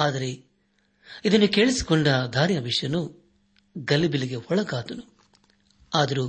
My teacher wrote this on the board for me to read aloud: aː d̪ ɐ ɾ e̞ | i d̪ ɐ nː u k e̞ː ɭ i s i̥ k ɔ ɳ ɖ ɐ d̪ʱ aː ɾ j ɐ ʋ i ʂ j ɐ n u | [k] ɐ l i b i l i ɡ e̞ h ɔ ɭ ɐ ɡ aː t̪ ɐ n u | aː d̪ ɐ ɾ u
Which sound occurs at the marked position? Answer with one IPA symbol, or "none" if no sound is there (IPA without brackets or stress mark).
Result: ɡ